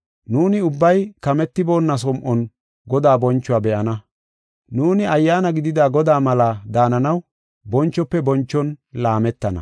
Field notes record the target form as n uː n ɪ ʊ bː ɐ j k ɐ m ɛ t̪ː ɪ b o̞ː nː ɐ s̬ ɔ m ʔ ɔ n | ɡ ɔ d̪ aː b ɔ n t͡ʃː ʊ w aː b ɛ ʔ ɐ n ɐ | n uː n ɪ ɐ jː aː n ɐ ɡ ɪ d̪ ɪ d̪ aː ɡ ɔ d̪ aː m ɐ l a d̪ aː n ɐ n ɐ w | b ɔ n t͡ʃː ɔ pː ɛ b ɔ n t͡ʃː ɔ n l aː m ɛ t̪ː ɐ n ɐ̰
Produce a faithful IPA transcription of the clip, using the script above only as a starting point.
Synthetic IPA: n uː n ɪ ʊ bː ɐ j k ɐ m ɛ t̪ː ɪ b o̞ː nː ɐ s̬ ɔ m ʔ ɔ n | ɡ ɔ d̪ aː b ɔ n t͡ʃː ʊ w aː b ɛ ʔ ɐ n ɐ | n uː n ɪ ɐ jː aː n ɐ ɡ ɪ d̪ ɪ d̪ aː ɡ ɔ d̪ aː m ɐ l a d̪ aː n ɐ n ɐ w | b ɔ n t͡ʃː ɔ pː ɛ b ɔ n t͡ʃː ɔ n l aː m ɛ t̪ː ɐ n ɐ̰